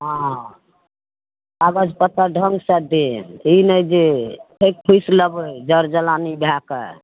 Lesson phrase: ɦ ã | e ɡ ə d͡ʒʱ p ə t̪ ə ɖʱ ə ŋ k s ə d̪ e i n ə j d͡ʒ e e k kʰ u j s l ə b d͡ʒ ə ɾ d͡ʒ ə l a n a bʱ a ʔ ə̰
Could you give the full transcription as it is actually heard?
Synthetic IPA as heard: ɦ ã | a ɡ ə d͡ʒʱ p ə t̪ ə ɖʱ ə ŋ ɡ s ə d̪ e i n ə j d͡ʒ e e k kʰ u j s l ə b d͡ʒ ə ɾ d͡ʒ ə l a n i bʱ a k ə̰